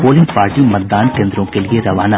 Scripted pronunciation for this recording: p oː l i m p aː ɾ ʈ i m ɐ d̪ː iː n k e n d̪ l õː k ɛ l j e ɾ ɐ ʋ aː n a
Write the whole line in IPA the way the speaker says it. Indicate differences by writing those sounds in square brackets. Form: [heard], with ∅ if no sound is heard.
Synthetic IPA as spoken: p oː l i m p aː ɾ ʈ i m ɐ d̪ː [aː] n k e n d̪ [ɾ] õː k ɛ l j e ɾ ɐ ʋ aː n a